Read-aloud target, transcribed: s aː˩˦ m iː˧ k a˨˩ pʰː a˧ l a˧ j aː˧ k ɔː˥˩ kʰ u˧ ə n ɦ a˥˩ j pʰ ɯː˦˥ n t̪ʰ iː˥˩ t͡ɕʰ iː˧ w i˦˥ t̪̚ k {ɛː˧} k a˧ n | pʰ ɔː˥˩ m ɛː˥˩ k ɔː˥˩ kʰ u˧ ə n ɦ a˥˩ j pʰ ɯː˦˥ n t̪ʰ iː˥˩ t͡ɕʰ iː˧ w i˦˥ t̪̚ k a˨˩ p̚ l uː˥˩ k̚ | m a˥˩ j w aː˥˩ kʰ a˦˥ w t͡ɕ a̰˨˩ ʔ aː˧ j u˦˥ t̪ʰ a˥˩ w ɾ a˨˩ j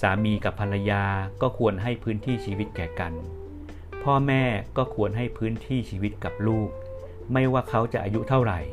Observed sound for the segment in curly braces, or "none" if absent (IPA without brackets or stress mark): ɛː˨˩